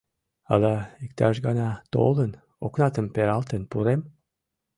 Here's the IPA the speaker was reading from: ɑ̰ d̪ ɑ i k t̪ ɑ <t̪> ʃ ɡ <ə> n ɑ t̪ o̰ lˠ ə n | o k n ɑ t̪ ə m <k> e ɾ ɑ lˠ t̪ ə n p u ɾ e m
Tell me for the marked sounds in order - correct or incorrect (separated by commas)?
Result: incorrect, incorrect, incorrect